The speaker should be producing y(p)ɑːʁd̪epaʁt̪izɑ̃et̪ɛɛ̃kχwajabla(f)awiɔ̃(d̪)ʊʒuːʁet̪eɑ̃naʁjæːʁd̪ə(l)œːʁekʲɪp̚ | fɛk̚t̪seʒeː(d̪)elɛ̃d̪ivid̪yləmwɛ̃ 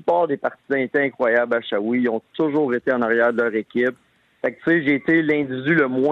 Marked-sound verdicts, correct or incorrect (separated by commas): correct, incorrect, incorrect, correct, incorrect